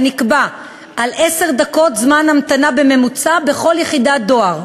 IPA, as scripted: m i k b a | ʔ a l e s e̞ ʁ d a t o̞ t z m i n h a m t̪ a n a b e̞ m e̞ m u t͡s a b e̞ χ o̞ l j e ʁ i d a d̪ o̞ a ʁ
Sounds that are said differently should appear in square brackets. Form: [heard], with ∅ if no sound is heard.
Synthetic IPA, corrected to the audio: [n] i k b a | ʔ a l e s e̞ ʁ d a [k] o̞ t z m [a] n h a m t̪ a n a b e̞ m e̞ m u t͡s a b e̞ χ o̞ l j e [χ] i d a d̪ o̞ a ʁ